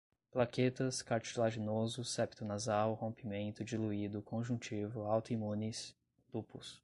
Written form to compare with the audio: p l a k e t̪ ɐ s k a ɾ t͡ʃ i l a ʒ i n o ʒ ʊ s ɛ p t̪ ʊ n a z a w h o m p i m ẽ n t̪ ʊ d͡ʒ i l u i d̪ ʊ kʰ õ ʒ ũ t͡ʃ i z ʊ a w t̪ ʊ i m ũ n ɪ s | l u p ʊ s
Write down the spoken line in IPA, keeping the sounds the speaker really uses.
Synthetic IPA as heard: p l a k e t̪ ɐ s k a ɾ t͡ʃ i l a ʒ i n o z ʊ s ɛ p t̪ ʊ n a z a w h õ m p i m ẽ n t̪ ʊ d͡ʒ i l u i d̪ ʊ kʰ õ ʒ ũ t͡ʃ i v ʊ a w t̪ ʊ i m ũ n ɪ s | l u p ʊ s